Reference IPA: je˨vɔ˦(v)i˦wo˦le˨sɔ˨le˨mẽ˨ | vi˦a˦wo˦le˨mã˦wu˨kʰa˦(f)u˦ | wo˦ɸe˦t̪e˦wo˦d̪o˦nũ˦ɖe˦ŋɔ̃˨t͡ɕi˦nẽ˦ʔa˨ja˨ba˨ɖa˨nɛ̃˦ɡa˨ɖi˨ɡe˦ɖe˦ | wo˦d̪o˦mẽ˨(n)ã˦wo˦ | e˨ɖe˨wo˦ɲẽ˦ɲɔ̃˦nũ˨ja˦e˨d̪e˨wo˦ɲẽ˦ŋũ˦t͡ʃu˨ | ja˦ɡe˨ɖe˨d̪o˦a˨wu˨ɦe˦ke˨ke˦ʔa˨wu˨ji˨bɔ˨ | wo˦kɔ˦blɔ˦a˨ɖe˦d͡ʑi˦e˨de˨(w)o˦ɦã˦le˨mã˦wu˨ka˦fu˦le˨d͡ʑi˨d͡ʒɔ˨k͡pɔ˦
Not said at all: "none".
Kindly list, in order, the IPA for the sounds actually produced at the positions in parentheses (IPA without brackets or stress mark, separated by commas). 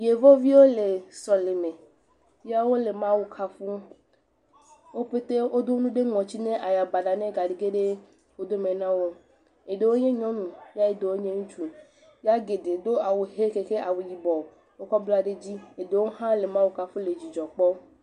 v, f, n, w